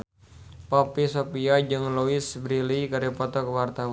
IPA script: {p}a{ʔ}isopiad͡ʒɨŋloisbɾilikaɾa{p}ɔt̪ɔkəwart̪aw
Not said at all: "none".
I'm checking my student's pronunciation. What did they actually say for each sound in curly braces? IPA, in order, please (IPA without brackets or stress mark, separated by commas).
p, p, p